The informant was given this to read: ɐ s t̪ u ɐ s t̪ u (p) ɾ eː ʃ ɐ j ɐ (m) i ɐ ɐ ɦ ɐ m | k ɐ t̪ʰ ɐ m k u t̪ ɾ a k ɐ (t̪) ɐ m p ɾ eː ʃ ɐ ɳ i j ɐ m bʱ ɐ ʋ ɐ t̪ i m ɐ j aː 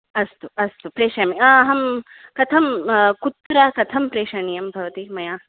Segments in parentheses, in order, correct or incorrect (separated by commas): correct, correct, incorrect